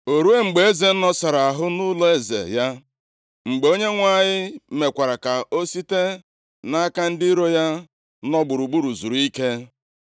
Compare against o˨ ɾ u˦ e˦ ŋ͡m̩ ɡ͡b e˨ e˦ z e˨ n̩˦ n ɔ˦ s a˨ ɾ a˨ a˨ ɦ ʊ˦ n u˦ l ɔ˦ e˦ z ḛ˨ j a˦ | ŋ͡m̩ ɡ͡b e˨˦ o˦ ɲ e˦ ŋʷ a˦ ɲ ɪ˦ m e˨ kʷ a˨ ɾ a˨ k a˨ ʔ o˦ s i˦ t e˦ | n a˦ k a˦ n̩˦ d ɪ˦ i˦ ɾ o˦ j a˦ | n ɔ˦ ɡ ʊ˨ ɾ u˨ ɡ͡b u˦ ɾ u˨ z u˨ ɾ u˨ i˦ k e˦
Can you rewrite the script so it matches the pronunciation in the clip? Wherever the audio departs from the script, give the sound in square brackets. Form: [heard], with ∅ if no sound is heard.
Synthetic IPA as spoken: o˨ ɾ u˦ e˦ ŋ͡m̩ ɡ͡b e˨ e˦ z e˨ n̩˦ n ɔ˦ s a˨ ɾ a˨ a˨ ɦ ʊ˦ n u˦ l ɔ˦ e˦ z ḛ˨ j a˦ | ŋ͡m̩ ɡ͡b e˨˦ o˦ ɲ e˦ ŋʷ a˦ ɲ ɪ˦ m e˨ kʷ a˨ ɾ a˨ k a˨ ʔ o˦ s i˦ t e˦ | n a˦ k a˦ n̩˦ d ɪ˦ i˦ ɾ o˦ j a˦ | n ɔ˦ [ɡ͡b] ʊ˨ ɾ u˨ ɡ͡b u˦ ɾ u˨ z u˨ ɾ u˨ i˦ k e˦